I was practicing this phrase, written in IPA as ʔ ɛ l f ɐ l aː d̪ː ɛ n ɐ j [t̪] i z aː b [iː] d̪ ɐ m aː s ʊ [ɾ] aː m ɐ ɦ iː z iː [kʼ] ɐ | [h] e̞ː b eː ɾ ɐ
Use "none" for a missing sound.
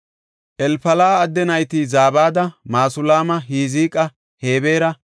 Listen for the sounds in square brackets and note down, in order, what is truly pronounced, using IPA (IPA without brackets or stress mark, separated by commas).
t̪, aː, l, kʼ, h